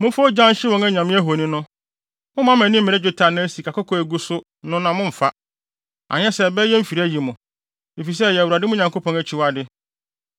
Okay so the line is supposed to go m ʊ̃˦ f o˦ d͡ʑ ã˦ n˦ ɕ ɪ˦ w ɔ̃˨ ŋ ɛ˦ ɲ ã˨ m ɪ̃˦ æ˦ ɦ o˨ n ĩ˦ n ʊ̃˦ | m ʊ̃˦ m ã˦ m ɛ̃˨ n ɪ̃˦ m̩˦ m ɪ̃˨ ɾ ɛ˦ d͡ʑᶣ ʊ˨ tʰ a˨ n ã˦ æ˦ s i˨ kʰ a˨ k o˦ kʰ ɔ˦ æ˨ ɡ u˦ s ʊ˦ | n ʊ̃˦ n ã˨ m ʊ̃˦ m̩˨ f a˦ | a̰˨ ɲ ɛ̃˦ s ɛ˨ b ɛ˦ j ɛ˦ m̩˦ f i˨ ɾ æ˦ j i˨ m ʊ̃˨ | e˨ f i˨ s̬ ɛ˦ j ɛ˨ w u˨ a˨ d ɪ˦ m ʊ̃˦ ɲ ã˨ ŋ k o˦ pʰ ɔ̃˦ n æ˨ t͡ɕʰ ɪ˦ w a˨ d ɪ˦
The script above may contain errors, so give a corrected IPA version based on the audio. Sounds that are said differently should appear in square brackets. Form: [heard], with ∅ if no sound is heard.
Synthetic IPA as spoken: m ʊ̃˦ f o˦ d͡ʑ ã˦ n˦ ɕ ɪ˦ w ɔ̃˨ ŋ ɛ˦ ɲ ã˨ m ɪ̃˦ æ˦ ɦ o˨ n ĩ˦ n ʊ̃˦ | m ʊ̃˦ m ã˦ m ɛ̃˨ n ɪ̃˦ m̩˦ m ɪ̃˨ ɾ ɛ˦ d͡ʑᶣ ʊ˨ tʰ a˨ n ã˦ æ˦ s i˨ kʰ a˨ k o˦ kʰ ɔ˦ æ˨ ɡ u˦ s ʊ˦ | n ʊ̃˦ n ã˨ m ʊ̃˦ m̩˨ f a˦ | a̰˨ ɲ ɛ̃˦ s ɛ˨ b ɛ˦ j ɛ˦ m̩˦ f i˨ ɾ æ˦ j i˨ m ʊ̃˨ | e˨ f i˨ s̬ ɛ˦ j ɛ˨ w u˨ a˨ d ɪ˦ m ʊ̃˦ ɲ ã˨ ŋ k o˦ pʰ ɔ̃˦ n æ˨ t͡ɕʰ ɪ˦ w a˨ d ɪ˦